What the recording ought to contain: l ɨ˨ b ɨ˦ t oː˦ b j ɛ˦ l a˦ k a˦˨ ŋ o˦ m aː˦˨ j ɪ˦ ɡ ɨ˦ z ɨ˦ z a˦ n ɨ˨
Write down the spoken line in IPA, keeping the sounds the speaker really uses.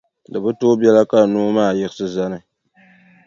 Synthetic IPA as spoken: l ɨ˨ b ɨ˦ t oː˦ b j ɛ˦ l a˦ k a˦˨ n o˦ m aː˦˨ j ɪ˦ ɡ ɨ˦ s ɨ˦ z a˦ n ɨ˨